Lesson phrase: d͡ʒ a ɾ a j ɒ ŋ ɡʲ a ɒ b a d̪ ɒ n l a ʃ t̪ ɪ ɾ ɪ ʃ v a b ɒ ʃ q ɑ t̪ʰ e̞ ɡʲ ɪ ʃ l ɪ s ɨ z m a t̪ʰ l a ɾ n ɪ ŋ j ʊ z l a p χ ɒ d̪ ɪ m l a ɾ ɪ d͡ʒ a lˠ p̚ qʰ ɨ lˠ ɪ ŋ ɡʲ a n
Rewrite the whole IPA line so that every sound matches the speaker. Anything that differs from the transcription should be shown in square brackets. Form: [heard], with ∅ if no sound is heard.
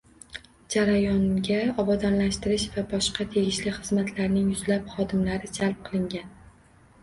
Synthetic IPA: d͡ʒ a ɾ a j ɒ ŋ ɡʲ a ɒ b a d̪ ɒ n l a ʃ t̪ ɪ ɾ ɪ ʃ v a b ɒ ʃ q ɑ t̪ʰ e̞ ɡʲ ɪ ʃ l ɪ [χ] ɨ z m a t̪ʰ l a ɾ n ɪ ŋ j ʊ z l a p χ ɒ d̪ ɪ m l a ɾ ɪ d͡ʒ a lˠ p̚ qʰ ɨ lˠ ɪ ŋ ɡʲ a n